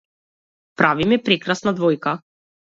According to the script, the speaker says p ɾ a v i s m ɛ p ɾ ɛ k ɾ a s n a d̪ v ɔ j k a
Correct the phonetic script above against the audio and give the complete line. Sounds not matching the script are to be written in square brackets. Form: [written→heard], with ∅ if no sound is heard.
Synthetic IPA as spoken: p ɾ a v i [s→∅] m ɛ p ɾ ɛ k ɾ a s n a d̪ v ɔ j k a